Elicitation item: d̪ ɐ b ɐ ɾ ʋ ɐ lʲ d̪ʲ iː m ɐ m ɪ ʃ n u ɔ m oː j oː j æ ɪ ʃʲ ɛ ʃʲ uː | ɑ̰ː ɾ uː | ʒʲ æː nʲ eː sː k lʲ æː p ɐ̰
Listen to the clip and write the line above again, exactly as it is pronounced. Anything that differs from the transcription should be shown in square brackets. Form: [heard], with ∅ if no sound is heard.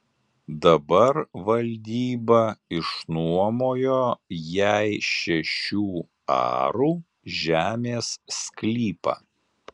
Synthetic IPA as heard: d̪ ɐ b ɐ ɾ ʋ ɐ lʲ d̪ʲ iː [b] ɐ [∅] ɪ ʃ n u ɔ m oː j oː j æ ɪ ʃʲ ɛ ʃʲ uː | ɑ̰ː ɾ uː | ʒʲ æː [mʲ] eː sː k lʲ [iː] p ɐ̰